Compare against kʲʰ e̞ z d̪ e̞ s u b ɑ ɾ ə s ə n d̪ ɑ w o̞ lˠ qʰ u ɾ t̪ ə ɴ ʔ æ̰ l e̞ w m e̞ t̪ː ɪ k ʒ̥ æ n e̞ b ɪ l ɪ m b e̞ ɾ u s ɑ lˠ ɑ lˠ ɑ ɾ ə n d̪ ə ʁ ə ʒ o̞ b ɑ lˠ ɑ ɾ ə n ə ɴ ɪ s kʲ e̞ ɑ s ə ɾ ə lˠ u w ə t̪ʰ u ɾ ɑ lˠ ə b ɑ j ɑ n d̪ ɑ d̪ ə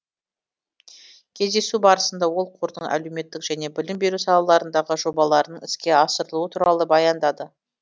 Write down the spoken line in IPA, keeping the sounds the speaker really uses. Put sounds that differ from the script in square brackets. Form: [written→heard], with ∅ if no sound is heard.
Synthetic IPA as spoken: kʲʰ e̞ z d̪ e̞ s u b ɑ ɾ ə s ə n d̪ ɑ w o̞ lˠ qʰ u ɾ [t̪→d̪] ə ɴ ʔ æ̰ l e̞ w m e̞ t̪ː ɪ k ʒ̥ æ n e̞ b ɪ l ɪ m b e̞ ɾ u s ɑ lˠ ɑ lˠ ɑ ɾ ə n d̪ [ə→ɑ] ʁ ə ʒ o̞ b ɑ lˠ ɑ ɾ ə n ə ɴ ɪ s kʲ e̞ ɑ s ə ɾ ə lˠ u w ə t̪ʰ u ɾ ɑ lˠ ə b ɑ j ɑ n d̪ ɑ d̪ ə

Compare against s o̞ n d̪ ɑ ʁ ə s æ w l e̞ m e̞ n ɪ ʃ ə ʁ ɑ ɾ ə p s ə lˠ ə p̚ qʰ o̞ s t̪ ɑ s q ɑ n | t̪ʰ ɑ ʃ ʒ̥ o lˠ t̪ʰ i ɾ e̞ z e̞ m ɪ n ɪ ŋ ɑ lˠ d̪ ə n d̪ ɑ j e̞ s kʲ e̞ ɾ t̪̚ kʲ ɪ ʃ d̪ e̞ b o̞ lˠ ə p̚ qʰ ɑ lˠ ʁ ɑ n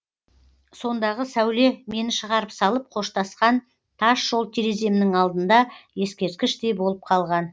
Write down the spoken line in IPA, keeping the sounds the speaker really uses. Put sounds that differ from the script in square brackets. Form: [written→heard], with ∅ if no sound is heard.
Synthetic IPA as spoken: s o̞ n d̪ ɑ ʁ ə s æ w l e̞ m e̞ n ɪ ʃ ə ʁ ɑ ɾ ə p s [ə→ɑ] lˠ ə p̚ qʰ o̞ [s→ʃ] t̪ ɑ s q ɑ n | t̪ʰ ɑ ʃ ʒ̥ o lˠ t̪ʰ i ɾ e̞ z e̞ m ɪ n ɪ ŋ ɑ lˠ d̪ ə n d̪ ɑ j e̞ s kʲ e̞ ɾ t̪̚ kʲ ɪ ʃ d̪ e̞ b o̞ lˠ ə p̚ qʰ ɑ lˠ ʁ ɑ n

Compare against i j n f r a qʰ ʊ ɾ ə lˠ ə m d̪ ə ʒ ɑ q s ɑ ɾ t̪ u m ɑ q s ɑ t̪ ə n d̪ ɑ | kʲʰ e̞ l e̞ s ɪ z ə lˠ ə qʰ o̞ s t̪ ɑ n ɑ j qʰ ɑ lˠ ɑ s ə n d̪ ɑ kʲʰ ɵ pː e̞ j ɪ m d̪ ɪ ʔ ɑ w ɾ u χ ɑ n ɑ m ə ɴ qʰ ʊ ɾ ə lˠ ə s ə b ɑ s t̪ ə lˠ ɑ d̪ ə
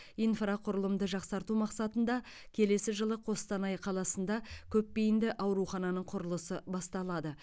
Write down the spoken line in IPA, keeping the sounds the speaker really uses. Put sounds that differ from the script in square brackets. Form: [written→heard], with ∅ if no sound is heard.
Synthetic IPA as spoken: i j n f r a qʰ ʊ ɾ ə lˠ ə m d̪ ə ʒ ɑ q s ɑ ɾ t̪ u m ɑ q s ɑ t̪ ə n d̪ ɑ | kʲʰ e̞ l e̞ s ɪ [z→ʒ] ə lˠ ə qʰ o̞ s t̪ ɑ n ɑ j qʰ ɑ lˠ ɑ s ə n d̪ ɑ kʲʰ ɵ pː e̞ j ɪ [m→n] d̪ ɪ ʔ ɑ w ɾ u χ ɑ n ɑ [m→n] ə ɴ qʰ ʊ ɾ ə lˠ ə s ə b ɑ s t̪ [ə→ɑ] lˠ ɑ d̪ ə

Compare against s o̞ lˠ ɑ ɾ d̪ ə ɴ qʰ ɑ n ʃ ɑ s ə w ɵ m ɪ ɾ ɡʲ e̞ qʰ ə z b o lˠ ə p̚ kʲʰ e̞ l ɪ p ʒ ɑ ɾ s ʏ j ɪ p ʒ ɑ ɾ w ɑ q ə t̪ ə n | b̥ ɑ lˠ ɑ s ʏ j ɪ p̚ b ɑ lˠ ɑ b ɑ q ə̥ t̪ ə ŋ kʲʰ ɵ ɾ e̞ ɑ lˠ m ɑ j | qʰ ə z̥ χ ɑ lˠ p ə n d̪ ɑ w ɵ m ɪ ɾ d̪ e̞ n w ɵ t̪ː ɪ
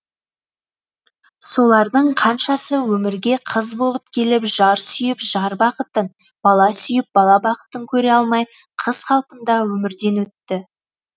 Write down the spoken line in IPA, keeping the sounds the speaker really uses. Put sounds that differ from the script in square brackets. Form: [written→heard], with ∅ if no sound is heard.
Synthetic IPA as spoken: s o̞ lˠ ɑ ɾ d̪ ə ɴ qʰ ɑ n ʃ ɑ s ə w ɵ m ɪ ɾ ɡʲ e̞ qʰ ə z b o lˠ ə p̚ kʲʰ e̞ l ɪ p ʒ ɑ ɾ s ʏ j ɪ p ʒ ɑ ɾ [w→b] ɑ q ə t̪ ə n | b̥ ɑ lˠ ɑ s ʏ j ɪ p̚ b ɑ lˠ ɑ b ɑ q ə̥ t̪ ə ŋ kʲʰ ɵ ɾ e̞ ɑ lˠ m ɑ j | qʰ ə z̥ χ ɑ lˠ p ə n d̪ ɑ w ɵ m ɪ ɾ d̪ e̞ n w ɵ t̪ː ɪ

